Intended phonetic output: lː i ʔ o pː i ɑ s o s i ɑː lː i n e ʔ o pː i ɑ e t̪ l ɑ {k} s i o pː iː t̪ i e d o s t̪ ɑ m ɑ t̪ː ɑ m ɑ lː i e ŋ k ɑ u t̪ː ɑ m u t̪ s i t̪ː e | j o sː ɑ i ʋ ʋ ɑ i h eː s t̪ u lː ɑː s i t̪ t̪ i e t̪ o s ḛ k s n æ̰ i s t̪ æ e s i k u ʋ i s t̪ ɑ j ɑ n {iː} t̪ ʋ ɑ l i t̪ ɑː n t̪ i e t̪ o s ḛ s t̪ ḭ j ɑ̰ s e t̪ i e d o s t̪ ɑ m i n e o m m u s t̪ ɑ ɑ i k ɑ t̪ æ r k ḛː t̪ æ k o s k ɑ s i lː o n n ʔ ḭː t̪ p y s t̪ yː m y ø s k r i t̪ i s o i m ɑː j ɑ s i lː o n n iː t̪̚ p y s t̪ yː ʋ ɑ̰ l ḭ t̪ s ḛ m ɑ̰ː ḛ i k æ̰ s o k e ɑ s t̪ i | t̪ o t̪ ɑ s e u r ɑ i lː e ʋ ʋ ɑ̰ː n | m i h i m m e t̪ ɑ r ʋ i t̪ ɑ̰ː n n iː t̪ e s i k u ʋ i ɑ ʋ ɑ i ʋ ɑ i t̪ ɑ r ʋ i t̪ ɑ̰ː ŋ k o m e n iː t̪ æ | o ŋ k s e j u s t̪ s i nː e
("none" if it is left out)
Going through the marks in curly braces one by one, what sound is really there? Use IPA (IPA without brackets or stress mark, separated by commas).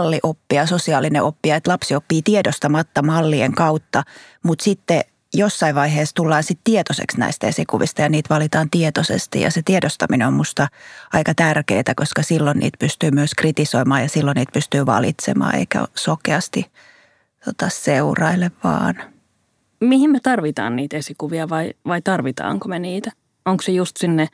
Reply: p, iː